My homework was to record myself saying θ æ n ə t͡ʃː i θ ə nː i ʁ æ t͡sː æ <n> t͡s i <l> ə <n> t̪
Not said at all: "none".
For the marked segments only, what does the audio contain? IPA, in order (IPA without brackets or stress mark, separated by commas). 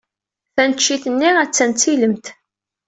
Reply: n, l, m